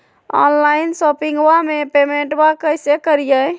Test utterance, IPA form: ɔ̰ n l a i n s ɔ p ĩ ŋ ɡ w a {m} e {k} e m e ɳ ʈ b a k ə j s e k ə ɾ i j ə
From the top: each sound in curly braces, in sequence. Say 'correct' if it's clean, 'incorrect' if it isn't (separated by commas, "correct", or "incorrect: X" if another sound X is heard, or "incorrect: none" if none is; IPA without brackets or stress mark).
correct, incorrect: p